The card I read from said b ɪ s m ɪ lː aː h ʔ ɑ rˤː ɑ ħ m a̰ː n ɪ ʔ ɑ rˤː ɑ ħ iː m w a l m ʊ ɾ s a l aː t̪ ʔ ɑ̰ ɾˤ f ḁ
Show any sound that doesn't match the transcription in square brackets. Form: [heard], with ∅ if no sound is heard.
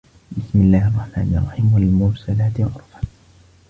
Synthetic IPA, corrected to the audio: b ɪ s m ɪ lː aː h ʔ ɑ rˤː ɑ ħ m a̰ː n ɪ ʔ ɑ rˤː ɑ ħ iː m w a l m ʊ ɾ s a l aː t̪ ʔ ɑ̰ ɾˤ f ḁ